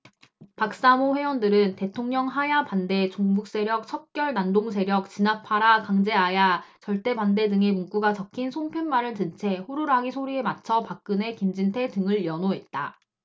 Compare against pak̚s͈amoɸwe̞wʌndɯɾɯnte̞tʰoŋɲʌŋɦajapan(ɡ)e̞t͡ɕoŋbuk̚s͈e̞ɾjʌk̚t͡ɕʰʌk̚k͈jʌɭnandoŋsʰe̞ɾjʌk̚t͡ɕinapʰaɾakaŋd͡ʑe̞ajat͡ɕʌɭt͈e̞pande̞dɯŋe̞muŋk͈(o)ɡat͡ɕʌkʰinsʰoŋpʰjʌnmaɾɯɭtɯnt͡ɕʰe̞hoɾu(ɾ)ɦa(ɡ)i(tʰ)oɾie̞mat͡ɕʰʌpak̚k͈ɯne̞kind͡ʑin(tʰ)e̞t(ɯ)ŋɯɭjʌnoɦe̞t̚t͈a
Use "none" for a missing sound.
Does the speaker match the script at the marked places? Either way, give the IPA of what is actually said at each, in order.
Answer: d, u, ɾ, ɡ, sʰ, tʰ, ɯ

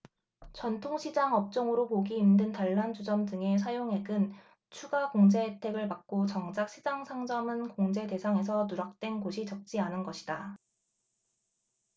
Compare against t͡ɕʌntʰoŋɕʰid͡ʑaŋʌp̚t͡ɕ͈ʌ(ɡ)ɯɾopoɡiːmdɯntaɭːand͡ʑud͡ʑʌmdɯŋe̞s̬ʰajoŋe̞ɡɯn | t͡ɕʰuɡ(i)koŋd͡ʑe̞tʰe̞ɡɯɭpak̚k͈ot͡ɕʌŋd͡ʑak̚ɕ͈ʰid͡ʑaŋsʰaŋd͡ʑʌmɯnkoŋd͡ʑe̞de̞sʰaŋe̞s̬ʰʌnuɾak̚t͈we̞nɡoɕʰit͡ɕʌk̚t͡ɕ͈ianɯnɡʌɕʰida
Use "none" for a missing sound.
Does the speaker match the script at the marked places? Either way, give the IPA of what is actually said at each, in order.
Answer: ŋ, a

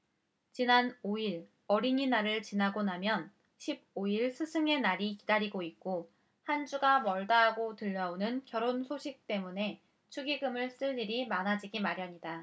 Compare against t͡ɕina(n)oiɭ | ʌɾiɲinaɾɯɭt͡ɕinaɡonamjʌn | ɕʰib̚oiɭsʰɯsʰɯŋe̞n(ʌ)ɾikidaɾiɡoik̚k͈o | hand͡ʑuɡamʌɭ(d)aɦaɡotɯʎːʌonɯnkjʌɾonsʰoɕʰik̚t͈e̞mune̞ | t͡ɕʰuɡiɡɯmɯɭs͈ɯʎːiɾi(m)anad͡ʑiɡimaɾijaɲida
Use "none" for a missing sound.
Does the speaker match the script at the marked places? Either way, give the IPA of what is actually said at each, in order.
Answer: n, a, d, m

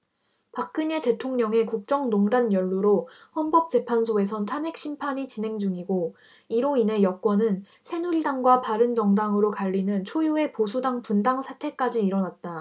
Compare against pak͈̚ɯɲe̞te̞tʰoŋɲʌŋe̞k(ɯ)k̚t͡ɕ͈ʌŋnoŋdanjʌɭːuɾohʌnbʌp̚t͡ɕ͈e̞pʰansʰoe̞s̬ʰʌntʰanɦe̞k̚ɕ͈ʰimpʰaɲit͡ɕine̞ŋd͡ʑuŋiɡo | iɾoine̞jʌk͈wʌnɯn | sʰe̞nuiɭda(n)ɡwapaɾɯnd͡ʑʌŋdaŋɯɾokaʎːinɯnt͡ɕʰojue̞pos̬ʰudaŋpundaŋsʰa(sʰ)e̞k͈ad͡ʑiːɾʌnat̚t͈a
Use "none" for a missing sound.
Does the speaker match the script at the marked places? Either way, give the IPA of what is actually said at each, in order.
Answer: u, ŋ, tʰ

